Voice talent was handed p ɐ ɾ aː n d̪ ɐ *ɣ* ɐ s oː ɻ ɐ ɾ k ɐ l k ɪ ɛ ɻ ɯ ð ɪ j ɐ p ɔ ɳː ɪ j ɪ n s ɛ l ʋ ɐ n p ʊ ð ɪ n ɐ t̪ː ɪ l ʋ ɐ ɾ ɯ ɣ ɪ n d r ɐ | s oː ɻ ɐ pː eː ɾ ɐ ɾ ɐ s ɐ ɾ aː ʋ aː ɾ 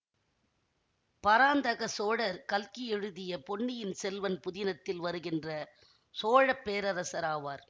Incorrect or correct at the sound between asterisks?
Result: correct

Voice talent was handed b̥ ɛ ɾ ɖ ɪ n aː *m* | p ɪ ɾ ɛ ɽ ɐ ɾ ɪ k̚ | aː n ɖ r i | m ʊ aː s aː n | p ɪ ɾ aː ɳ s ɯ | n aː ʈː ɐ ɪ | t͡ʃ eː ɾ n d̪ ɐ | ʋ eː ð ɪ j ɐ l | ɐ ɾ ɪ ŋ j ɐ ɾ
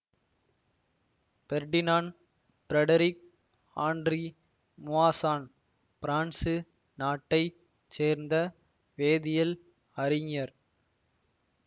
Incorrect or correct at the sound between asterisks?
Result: incorrect: n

